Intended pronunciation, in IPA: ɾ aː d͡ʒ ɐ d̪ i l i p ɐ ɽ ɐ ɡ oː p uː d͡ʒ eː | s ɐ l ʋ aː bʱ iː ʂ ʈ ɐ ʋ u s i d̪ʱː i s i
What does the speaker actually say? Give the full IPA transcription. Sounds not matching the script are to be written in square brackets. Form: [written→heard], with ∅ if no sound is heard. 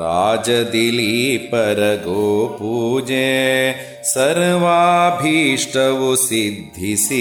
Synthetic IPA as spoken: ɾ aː d͡ʒ ɐ d̪ i l i p ɐ [ɽ→ɾ] ɐ ɡ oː p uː d͡ʒ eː | s ɐ [l→ɾ] ʋ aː bʱ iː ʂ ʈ ɐ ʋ u s i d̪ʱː i s i